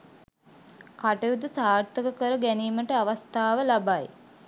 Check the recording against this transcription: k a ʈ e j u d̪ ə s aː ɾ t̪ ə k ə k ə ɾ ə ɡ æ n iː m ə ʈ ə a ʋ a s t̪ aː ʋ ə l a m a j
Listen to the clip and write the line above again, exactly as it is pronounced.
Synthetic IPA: k a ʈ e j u d̪ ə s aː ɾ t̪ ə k ə k ə ɾ ə ɡ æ n iː m ə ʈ ə a ʋ a s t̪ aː ʋ ə l a b a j